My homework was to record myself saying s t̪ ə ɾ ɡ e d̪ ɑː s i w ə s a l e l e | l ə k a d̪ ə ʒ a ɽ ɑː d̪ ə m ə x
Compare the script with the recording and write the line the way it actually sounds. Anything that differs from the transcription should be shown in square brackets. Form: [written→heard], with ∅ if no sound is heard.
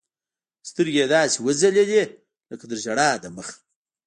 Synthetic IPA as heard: s t̪ ə ɾ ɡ e d̪ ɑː s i w ə [s→z] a l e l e | l ə k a d̪ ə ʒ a ɽ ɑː d̪ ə m ə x